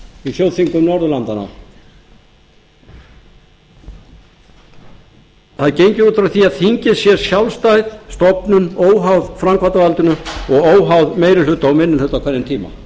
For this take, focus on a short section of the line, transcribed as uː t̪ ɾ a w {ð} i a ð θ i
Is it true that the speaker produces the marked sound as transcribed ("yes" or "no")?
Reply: no